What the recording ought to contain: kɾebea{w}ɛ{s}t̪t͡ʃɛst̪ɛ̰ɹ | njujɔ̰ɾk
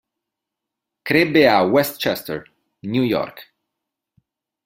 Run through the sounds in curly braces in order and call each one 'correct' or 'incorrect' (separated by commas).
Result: correct, correct